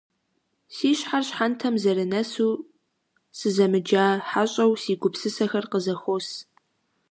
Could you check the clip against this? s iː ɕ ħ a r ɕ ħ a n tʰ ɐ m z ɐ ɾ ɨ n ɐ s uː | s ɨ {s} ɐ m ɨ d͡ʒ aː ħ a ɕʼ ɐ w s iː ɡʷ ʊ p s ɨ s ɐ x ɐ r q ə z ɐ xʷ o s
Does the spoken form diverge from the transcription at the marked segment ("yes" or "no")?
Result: yes